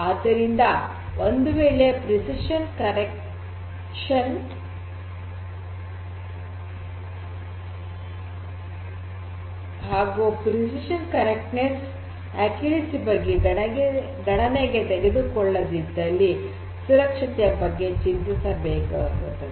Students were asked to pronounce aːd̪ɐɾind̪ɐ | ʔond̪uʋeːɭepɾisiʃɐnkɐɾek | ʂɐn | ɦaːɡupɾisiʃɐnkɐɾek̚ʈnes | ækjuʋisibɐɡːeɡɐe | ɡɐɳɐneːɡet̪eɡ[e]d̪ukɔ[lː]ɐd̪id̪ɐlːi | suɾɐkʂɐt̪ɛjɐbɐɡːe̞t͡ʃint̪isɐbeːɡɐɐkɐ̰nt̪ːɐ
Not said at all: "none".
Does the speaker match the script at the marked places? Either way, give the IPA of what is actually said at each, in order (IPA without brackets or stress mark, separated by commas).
e, ɭː